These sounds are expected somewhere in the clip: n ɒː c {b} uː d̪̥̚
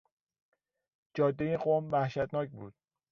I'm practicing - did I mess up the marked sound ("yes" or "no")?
no